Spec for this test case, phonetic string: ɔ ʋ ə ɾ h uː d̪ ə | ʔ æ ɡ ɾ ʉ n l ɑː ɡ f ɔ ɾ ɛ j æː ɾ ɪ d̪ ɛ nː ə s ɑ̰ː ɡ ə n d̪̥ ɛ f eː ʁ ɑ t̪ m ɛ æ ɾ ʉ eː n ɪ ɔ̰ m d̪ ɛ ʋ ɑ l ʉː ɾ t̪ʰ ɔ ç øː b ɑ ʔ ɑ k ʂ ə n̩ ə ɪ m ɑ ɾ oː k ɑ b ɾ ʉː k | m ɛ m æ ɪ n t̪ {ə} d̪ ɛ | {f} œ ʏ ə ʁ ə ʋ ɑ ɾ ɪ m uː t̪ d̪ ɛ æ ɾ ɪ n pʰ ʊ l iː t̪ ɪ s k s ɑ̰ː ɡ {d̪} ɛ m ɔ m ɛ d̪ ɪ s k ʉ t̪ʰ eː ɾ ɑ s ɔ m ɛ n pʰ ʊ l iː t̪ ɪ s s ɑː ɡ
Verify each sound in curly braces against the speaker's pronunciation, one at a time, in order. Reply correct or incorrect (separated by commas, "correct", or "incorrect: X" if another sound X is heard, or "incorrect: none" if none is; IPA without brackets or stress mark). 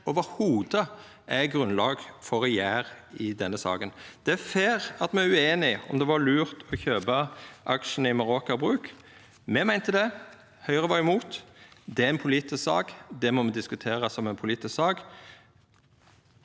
correct, incorrect: h, correct